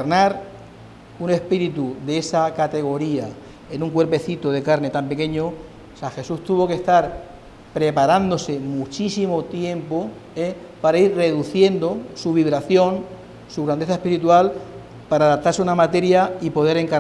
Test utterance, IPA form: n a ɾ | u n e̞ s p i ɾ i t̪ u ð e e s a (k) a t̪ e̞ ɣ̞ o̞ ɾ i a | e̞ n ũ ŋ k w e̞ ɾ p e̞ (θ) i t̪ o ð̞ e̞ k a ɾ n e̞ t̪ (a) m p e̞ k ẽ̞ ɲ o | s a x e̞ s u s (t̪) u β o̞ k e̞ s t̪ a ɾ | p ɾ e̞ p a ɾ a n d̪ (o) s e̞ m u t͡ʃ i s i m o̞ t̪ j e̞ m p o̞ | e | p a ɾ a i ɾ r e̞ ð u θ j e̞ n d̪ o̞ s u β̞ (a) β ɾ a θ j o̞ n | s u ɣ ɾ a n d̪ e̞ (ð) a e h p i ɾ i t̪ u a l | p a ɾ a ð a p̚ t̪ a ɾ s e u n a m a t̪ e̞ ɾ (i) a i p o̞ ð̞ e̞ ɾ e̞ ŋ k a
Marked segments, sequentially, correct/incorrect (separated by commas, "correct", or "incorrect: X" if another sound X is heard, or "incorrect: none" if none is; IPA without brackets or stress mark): correct, correct, correct, correct, correct, incorrect: i, incorrect: θ, incorrect: j